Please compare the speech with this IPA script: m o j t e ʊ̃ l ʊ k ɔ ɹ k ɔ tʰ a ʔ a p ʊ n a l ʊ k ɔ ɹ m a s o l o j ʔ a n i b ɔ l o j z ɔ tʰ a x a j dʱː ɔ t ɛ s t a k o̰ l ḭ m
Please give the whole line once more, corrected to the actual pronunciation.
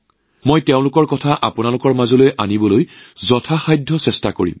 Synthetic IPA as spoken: m o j t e ʊ̃ l ʊ k ɔ ɹ k ɔ tʰ a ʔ a p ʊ n a l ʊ k ɔ ɹ m a z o l o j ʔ a n i b ɔ l o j z ɔ tʰ a x a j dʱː ɔ s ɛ s t a k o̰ ɹ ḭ m